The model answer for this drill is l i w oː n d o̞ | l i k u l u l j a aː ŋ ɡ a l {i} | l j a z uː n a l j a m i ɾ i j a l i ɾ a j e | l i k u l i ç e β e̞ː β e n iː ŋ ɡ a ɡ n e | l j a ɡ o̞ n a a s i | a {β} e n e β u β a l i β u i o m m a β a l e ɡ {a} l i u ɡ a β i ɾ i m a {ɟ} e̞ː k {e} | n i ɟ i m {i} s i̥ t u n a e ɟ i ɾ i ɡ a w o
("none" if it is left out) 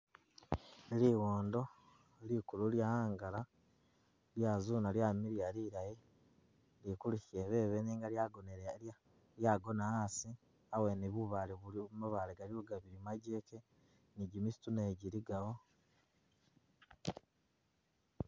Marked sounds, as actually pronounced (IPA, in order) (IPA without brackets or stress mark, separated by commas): a, w, a, ɟ, e, i